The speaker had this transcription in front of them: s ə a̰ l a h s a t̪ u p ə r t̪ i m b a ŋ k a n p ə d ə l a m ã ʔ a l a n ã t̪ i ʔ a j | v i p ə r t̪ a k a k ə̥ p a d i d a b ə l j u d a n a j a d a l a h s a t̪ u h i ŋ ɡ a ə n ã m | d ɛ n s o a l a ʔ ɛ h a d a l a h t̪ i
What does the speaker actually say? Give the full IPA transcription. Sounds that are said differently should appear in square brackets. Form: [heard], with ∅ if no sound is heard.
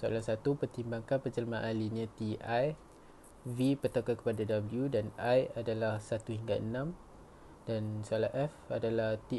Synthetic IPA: s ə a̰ l a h s a t̪ u p ə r t̪ i m b a ŋ k a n p ə [d͡ʒ] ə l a m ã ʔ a l [i] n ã t̪ i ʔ a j | v i p ə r t̪ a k a k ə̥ p a d [a] d a b ə l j u d a n a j a d a l a h s a t̪ u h i ŋ ɡ a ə n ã m | d [a] n s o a l a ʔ ɛ [f] a d a l a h t̪ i

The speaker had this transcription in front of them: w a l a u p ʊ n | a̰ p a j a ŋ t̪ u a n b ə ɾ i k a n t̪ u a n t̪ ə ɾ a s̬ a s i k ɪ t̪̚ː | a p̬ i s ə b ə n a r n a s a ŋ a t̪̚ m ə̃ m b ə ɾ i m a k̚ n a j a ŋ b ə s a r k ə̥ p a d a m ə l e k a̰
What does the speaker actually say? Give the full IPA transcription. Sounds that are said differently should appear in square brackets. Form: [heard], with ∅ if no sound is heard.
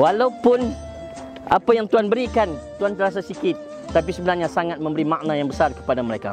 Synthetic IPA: w a l a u p ʊ n | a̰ p a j a ŋ t̪ u a n b ə ɾ i k a n t̪ u a n t̪ ə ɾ a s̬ a s i k ɪ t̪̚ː | a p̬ i s ə b ə n a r [ɲ] a s a ŋ a t̪̚ m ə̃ m b ə ɾ i m a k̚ n a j a ŋ b ə s a r k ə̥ p a d a m ə [ɾ] e k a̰

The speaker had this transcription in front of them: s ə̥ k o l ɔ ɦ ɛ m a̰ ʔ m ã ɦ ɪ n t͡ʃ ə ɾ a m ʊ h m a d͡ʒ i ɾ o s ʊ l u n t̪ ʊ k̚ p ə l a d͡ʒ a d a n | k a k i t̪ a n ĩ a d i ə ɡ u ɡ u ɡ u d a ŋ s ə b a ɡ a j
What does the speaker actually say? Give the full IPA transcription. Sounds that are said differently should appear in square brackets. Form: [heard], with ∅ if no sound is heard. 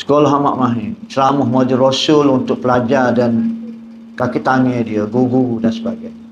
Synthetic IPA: s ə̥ k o l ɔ ɦ [a] m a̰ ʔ m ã ɦ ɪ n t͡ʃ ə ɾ a m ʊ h m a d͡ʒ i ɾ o s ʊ l u n t̪ ʊ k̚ p ə l a d͡ʒ a d a n | k a k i t̪ a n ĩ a d i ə ɡ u ɡ u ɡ u d a [n] s ə b a ɡ a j

